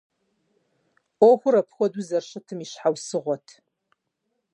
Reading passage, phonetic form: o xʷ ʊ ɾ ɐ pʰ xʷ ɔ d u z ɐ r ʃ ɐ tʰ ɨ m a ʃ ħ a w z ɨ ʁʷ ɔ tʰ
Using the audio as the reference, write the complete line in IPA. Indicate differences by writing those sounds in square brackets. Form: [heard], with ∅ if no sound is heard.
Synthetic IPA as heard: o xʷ ʊ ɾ ɐ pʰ xʷ ɔ d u z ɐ r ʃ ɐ tʰ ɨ m [i] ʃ ħ a w [s] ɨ ʁʷ ɔ tʰ